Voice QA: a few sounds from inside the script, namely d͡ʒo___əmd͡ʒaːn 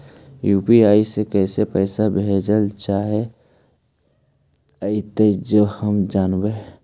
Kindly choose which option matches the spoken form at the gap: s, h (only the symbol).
h